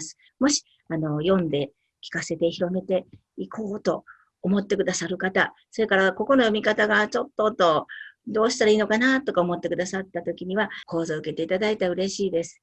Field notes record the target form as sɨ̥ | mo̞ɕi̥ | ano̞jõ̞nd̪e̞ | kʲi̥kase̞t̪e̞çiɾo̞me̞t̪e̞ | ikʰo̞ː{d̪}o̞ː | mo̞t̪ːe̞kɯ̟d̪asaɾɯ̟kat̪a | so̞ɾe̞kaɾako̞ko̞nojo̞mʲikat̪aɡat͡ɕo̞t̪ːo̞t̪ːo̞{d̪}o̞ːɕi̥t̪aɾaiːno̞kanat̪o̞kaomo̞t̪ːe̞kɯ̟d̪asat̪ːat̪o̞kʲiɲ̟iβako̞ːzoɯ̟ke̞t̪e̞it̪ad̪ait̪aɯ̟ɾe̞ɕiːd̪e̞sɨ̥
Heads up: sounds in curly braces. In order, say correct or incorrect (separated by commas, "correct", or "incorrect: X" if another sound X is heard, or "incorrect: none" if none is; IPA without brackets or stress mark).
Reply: incorrect: t̪, correct